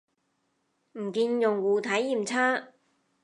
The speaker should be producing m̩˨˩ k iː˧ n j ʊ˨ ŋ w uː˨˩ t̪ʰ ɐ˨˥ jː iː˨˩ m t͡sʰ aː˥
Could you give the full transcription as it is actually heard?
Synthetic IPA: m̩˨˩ k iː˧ n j ʊ˨ ŋ w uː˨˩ t̪ʰ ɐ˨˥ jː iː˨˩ m t͡sʰ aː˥